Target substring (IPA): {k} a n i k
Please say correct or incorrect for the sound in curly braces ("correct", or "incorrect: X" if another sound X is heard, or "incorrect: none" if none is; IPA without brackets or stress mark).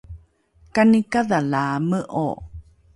correct